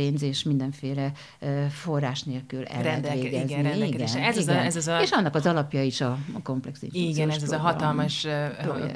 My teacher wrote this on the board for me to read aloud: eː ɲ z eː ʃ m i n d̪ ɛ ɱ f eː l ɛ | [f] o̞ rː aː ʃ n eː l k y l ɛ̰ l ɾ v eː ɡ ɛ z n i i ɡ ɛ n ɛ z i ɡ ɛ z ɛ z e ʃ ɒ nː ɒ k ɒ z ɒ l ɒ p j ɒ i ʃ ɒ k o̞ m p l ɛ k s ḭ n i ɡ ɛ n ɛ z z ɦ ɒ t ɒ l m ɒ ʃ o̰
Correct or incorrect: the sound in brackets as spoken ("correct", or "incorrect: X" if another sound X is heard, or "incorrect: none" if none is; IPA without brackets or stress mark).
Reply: correct